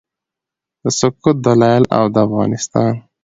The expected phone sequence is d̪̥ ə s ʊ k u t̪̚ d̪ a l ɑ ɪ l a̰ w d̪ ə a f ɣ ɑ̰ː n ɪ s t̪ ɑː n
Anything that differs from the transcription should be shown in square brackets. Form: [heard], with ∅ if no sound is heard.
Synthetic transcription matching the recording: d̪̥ ə s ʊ k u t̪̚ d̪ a l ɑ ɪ l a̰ w d̪ ə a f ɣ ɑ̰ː n ɪ s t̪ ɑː n